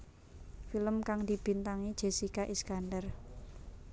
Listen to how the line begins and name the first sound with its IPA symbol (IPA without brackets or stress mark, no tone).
f